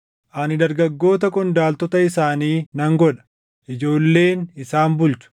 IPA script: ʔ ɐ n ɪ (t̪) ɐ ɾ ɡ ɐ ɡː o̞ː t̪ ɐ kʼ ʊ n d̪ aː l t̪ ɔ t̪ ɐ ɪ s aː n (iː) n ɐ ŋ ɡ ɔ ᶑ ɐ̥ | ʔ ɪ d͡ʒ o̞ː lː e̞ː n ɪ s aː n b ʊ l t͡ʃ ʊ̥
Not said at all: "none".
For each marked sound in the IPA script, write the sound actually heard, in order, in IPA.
d̪, iː

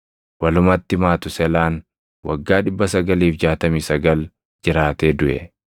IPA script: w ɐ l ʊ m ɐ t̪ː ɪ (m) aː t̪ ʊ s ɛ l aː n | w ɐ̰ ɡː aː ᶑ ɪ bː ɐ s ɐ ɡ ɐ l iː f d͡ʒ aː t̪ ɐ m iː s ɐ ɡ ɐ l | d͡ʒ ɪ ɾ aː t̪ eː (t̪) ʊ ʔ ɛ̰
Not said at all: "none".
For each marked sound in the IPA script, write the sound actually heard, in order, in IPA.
m, d̪

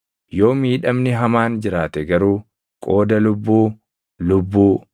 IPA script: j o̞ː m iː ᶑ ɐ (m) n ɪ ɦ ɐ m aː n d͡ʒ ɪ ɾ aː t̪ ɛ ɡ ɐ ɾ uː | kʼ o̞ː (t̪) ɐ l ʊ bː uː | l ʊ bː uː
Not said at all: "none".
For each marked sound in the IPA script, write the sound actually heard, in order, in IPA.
m, d̪

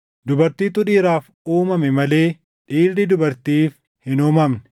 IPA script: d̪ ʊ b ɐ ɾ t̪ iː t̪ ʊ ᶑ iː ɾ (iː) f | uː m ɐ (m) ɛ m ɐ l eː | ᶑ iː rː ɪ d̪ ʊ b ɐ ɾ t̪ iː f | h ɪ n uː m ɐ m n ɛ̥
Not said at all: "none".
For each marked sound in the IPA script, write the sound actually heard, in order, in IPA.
aː, m

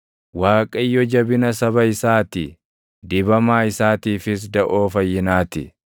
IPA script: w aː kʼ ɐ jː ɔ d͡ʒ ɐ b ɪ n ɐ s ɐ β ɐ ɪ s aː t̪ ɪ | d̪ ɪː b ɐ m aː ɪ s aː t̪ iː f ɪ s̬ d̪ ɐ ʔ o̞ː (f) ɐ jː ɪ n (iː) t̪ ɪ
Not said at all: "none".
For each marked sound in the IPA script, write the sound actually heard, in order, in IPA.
f, aː

